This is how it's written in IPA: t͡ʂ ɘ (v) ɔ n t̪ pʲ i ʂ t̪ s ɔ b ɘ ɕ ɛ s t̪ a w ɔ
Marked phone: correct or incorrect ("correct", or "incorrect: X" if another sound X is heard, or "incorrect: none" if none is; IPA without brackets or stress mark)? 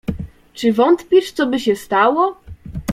correct